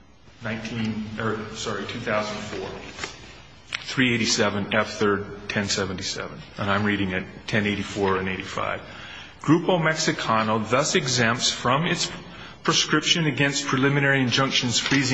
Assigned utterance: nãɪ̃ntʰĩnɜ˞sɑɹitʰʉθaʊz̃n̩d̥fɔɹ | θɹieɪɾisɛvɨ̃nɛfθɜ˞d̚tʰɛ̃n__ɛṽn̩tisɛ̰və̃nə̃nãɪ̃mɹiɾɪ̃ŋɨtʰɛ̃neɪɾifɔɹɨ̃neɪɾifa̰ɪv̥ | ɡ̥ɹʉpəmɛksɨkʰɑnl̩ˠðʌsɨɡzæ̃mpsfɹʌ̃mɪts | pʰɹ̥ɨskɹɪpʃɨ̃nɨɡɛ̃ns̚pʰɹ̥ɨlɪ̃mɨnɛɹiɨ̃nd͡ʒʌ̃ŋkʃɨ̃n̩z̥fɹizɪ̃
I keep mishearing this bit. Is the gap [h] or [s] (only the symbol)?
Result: s